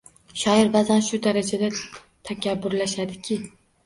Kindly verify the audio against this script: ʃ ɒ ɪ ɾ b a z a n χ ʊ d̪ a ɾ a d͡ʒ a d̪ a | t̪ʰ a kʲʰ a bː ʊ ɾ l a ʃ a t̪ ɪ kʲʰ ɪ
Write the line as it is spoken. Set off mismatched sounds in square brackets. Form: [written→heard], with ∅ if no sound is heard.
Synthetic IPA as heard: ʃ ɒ ɪ ɾ b a z a n [χ→ʃ] ʊ d̪ a ɾ a d͡ʒ a d̪ a | t̪ʰ a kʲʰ a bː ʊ ɾ l a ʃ a [t̪→d̪] ɪ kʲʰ ɪ